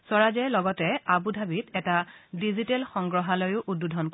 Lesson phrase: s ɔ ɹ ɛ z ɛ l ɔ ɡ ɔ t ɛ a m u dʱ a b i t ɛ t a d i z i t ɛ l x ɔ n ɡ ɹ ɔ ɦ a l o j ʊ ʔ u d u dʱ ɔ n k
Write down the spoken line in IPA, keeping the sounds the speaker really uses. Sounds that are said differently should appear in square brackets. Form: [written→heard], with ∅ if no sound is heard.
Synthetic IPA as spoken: s ɔ ɹ [ɛ→a] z ɛ l ɔ ɡ ɔ t ɛ a [m→b] u dʱ a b i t ɛ t a d i z i t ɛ l x ɔ [n→ŋ] ɡ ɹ ɔ ɦ a l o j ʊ ʔ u d u dʱ ɔ n k